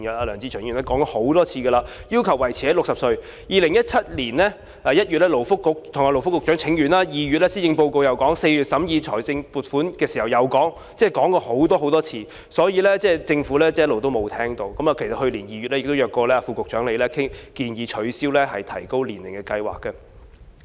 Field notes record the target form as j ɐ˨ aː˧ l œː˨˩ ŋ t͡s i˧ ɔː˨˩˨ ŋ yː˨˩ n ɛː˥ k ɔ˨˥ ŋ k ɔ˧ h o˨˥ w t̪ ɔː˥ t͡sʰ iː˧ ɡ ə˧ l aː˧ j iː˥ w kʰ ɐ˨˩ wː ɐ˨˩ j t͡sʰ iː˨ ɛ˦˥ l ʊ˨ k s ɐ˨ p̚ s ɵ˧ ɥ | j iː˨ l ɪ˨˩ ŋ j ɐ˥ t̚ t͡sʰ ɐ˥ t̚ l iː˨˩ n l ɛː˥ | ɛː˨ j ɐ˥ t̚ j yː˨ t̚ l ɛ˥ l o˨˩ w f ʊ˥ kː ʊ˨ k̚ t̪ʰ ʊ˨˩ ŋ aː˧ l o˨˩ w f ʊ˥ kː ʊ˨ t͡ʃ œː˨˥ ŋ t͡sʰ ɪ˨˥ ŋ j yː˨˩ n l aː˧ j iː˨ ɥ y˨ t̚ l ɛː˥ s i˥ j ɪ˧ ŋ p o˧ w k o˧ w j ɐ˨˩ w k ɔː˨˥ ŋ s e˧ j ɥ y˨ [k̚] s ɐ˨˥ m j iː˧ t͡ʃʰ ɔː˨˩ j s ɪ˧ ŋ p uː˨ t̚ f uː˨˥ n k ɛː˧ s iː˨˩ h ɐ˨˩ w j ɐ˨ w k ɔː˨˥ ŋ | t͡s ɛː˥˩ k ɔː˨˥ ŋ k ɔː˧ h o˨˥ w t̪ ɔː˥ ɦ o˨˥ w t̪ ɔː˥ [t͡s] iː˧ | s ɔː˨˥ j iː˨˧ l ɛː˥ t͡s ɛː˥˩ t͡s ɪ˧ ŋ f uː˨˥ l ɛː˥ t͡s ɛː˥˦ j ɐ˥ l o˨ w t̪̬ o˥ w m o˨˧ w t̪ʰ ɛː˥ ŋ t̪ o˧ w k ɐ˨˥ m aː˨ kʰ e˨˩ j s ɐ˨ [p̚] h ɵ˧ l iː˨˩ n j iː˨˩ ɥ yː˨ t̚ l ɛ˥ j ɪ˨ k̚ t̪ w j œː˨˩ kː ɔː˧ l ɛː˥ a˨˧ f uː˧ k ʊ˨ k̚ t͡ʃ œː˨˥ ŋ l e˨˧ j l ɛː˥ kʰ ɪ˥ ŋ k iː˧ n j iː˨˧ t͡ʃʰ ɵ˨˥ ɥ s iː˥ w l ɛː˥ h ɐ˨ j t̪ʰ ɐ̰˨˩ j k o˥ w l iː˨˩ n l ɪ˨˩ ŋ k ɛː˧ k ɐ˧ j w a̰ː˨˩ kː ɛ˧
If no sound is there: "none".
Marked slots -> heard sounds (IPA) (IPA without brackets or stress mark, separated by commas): t̚, t͡sʰ, t̚